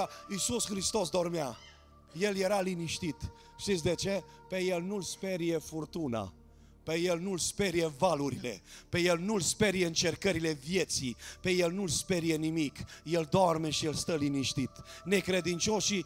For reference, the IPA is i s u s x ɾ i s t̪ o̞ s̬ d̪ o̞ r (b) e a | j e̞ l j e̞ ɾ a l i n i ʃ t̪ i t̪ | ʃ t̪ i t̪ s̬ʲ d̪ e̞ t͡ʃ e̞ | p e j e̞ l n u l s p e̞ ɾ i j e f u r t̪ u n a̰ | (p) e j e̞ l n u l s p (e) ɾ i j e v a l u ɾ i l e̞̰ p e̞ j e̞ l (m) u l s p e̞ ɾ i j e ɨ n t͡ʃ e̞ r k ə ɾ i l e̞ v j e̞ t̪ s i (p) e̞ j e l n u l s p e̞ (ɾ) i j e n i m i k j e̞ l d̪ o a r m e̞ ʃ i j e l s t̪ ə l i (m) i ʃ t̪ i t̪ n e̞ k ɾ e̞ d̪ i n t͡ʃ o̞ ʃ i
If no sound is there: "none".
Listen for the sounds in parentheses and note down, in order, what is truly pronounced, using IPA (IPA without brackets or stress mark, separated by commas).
m, p, e, n, p, ɾ, n